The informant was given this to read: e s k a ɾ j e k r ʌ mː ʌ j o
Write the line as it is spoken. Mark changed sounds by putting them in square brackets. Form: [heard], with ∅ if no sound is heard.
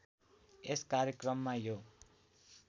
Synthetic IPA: e s k a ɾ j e k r ʌ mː [a] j o